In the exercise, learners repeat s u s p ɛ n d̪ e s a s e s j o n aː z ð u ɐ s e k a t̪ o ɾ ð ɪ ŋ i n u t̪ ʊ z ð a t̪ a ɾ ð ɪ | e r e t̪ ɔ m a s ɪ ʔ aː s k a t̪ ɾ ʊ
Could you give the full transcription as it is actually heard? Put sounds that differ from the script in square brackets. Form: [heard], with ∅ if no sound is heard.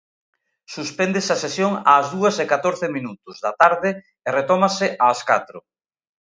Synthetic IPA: s u s p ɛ n d̪ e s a s e s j o [ŋ] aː z ð u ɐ s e k a t̪ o ɾ [θ] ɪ [m] i n u t̪ ʊ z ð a t̪ a ɾ ð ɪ | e r e t̪ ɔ m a s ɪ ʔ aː s k a t̪ ɾ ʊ